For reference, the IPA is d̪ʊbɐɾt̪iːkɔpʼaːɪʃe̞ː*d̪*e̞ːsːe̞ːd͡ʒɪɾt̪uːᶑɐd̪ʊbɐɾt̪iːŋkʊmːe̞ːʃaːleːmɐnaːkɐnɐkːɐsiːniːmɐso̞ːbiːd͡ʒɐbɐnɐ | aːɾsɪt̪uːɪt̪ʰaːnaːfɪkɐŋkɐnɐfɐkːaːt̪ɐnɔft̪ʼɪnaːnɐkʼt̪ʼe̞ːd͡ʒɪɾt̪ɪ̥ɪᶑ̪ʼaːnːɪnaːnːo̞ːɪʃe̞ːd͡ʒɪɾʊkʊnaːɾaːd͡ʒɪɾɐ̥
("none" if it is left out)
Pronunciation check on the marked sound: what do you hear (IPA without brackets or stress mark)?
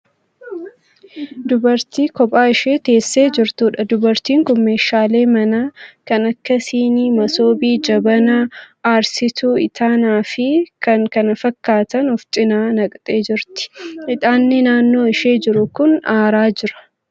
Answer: t̪